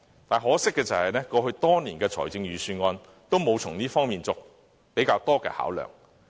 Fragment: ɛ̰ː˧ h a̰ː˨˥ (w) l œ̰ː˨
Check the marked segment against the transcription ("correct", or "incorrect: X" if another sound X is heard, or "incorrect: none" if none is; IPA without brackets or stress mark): correct